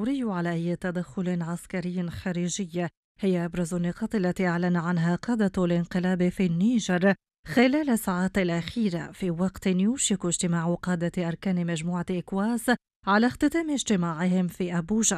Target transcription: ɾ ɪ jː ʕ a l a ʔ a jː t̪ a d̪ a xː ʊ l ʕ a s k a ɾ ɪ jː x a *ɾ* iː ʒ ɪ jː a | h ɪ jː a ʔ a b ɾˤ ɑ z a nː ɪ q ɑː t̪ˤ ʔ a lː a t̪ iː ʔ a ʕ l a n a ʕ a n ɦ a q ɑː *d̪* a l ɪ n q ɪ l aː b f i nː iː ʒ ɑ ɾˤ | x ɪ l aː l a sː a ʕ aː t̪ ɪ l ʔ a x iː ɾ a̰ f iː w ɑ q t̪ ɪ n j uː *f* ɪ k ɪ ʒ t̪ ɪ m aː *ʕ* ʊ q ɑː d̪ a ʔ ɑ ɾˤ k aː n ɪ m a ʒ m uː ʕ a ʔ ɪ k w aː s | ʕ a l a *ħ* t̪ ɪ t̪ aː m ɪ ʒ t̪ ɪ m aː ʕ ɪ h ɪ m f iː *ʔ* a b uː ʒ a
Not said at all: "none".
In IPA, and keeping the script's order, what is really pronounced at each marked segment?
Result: ɾ, d̪, ʃ, ʕ, x, ʔ

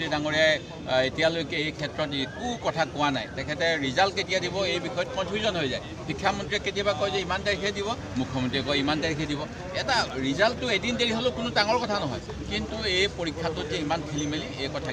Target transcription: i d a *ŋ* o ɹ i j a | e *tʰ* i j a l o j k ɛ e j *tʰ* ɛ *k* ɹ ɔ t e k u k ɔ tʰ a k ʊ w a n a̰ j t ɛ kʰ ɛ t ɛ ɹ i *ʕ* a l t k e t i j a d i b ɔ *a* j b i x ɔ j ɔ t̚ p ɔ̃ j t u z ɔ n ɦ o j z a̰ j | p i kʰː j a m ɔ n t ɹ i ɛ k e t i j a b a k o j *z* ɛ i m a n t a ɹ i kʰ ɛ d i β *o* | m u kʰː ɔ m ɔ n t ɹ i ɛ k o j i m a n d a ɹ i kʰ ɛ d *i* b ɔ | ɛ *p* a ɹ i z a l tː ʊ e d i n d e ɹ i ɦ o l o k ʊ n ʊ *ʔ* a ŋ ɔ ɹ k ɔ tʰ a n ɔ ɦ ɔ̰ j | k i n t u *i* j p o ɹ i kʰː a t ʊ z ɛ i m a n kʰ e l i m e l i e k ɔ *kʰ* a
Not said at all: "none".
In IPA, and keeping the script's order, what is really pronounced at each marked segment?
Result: ŋ, t, kʰ, t, z, e, z, ɔ, i, t, t, e, tʰ

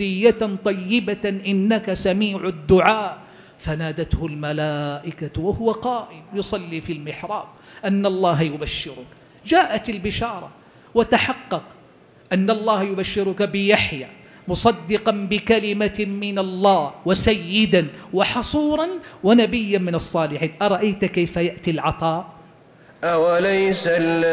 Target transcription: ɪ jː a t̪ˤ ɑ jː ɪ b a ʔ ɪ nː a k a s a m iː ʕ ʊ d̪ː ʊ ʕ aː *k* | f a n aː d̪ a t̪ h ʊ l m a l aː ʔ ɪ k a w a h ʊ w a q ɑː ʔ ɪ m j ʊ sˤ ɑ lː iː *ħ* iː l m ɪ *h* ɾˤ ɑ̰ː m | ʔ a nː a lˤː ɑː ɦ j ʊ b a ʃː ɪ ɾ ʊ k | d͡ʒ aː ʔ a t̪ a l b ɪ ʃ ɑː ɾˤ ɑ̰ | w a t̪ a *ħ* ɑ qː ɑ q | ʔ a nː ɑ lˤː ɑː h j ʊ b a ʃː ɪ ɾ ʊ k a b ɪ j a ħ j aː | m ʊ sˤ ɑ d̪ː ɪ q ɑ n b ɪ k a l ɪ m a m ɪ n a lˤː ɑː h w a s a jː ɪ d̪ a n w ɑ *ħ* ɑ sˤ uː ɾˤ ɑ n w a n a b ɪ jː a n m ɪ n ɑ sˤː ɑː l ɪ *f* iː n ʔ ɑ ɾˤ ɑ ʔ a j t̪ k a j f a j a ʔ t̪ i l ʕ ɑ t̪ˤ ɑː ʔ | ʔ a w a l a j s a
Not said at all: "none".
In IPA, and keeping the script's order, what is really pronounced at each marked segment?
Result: ʔ, f, ħ, ħ, ħ, ħ

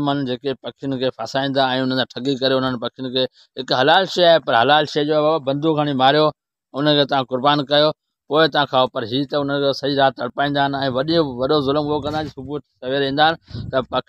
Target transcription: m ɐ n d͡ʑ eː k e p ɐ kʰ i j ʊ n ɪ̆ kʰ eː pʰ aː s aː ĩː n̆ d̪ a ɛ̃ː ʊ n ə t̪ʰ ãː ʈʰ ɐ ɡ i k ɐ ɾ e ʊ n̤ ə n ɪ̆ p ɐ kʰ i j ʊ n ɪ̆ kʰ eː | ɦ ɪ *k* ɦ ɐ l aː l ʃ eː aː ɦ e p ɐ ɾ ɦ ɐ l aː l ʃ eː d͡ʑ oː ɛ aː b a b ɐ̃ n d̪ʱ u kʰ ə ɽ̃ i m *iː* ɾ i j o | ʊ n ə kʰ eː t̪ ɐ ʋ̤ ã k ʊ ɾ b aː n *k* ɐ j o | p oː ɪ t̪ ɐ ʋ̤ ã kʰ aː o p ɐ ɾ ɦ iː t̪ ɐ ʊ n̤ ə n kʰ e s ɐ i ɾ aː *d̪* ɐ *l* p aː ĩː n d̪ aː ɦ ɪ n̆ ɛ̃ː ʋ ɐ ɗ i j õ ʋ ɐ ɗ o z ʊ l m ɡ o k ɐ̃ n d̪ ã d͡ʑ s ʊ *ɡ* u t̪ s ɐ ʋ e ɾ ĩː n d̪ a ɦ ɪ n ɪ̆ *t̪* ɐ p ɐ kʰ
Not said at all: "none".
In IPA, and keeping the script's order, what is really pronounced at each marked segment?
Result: k, aː, k, t̪, ɽ, b, t̪

